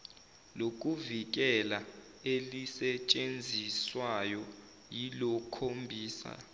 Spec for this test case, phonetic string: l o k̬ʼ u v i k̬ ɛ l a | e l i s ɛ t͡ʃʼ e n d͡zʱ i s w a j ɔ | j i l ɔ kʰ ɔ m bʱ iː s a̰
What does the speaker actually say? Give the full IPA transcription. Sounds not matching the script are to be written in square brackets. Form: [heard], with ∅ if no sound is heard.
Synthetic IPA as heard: l o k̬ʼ u v i k̬ ɛ l a | e l i s ɛ t͡ʃʼ e n d͡zʱ i s w a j ɔ | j i l ɔ kʰ [o] m bʱ iː s a̰

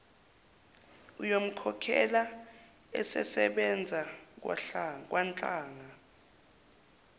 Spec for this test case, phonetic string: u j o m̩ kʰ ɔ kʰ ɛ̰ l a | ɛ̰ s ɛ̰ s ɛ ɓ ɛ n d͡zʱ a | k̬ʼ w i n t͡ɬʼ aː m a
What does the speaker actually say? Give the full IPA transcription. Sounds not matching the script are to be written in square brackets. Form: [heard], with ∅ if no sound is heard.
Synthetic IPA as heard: u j o m̩ kʰ ɔ kʰ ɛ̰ l a | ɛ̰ s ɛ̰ s ɛ ɓ ɛ n d͡zʱ a | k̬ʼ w [a] n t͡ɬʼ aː [ŋ] a

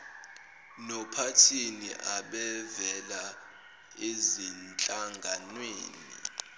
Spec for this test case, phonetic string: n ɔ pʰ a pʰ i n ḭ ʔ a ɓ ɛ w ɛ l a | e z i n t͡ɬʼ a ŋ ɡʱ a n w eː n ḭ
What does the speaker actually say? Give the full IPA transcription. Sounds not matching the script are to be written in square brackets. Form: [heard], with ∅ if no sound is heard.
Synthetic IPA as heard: n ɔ pʰ a [tʰ] i n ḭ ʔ a ɓ ɛ [v] ɛ l a | e z i n t͡ɬʼ a ŋ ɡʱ a n w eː n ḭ

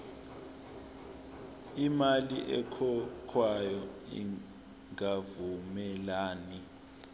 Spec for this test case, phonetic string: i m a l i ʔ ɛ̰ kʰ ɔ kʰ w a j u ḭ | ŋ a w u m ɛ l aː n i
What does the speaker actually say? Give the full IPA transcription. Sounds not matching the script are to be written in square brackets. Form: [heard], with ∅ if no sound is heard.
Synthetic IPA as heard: i m a l i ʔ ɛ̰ kʰ ɔ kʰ w a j [ɔ] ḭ | ŋ a [v] u m ɛ l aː n i

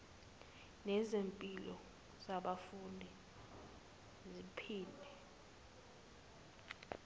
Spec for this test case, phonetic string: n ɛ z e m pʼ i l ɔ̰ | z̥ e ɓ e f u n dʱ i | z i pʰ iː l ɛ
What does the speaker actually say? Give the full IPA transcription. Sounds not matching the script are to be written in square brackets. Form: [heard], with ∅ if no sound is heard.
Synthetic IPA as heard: n ɛ z e m pʼ i l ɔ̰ | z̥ [a] ɓ [a] f u n dʱ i | z i pʰ iː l ɛ

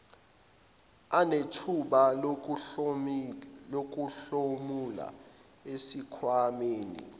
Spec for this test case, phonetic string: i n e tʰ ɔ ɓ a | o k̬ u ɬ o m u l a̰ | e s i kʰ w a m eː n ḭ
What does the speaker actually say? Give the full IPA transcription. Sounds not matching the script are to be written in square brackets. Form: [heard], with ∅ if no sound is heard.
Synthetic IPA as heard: [a] n e tʰ [u] ɓ a | o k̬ u ɬ o m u l a̰ | e s i kʰ w a m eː n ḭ

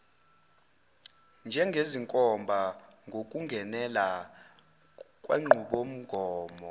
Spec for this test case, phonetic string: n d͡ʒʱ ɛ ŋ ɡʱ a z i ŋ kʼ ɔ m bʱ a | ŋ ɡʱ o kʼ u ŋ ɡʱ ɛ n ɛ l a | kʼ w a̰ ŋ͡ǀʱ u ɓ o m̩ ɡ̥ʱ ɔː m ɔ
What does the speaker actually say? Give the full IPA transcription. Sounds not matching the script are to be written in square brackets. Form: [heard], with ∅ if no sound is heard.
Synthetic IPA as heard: n d͡ʒʱ ɛ ŋ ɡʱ [e] z i ŋ kʼ ɔ m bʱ a | ŋ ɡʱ o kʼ u ŋ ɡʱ ɛ n ɛ l a | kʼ w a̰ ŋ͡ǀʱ u ɓ o m̩ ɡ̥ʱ ɔː m ɔ

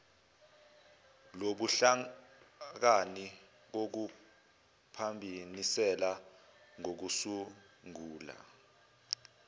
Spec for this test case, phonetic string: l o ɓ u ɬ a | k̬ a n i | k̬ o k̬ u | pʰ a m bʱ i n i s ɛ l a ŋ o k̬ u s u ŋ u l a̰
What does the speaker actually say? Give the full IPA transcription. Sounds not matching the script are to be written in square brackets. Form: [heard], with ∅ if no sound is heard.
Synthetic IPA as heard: l o ɓ u ɬ a | k̬ a n i | k̬ o k̬ u | pʰ a m bʱ i n i s ɛ l a ŋ o k̬ u s u ŋ [uː] l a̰

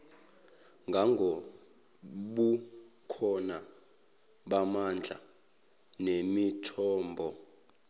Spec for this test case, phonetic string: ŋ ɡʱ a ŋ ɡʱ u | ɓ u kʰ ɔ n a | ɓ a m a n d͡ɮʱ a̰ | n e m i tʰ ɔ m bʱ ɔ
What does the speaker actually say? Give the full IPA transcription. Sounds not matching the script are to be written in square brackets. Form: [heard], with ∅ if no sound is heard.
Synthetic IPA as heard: ŋ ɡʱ a ŋ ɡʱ [o] | ɓ u kʰ ɔ n a | ɓ a m a n d͡ɮʱ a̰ | n e m i tʰ [ɔː] m bʱ ɔ

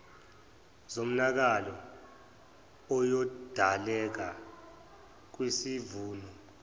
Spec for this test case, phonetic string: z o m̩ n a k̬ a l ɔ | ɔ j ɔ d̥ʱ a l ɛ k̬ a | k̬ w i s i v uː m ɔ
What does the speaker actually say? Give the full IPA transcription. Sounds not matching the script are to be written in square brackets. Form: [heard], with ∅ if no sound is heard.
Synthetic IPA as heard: z o m̩ n a k̬ a l ɔ | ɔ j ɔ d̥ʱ a l ɛ k̬ a | k̬ w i s i v uː [n] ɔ

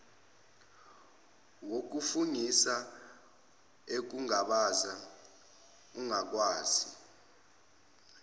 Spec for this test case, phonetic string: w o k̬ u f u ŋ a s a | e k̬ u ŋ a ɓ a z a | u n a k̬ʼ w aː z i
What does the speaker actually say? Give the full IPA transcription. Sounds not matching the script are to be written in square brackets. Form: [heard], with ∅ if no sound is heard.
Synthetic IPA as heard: w o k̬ u f u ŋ [i] s a | e k̬ u ŋ a ɓ a z a | u [ŋ] a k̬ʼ w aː z i

